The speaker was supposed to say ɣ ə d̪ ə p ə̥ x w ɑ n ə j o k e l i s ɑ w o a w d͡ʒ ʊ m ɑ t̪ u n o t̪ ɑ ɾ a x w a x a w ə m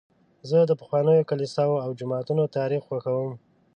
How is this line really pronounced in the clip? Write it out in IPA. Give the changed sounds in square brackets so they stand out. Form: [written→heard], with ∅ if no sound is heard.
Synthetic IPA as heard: [ɣ→z] ə d̪ ə p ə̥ x w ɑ n ə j o k [e→a] l i s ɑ w o a w d͡ʒ ʊ m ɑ t̪ u n o t̪ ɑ ɾ [a→i] x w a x a w ə m